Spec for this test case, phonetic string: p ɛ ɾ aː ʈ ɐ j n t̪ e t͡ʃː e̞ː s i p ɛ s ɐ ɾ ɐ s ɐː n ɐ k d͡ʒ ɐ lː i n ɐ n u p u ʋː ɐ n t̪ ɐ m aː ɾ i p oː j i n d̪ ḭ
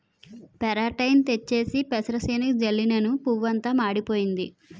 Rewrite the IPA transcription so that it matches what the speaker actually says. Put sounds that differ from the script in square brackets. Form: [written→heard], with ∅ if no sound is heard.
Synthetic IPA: p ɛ ɾ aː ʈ ɐ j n t̪ e t͡ʃː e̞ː s i p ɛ s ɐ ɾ ɐ s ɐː n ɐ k d͡ʒ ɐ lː i n ɐ n u p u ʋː ɐ n t̪ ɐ m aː [ɾ→ɽ] i p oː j i n d̪ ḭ